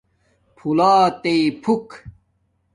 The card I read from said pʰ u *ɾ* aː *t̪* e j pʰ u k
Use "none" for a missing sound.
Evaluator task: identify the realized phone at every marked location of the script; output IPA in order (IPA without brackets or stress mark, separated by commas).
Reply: l, t̪